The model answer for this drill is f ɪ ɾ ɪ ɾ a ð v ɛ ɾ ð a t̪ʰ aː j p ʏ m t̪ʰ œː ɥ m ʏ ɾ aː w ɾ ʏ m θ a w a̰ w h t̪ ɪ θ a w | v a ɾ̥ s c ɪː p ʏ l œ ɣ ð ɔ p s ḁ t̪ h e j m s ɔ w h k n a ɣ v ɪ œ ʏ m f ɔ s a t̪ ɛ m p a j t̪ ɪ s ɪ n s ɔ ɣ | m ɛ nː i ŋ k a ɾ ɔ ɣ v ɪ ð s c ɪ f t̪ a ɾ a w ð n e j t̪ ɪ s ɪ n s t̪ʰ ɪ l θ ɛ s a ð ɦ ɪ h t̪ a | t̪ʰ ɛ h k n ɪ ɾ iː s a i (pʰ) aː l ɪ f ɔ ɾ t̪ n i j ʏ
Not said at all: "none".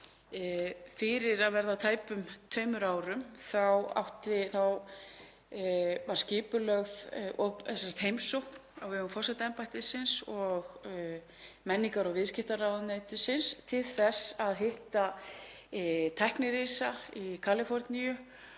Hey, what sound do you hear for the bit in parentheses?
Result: kʰ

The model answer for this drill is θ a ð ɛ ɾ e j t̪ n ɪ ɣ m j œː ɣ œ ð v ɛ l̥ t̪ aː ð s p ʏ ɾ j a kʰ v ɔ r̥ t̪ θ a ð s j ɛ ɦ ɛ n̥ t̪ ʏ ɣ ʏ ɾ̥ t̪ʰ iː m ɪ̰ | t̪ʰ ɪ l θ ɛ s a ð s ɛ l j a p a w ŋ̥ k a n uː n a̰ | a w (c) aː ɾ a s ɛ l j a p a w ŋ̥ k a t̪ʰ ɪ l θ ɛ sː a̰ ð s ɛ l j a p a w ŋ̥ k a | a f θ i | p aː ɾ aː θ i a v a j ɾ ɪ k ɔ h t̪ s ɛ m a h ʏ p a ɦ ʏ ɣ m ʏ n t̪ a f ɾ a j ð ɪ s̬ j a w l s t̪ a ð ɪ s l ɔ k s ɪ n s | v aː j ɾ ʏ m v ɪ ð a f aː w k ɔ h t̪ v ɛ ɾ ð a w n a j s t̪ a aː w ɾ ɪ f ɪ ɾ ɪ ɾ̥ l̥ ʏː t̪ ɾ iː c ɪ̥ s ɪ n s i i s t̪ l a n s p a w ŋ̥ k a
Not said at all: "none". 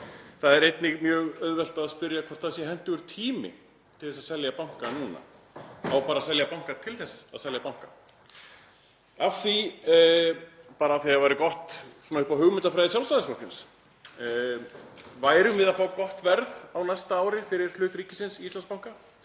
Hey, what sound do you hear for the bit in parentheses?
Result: p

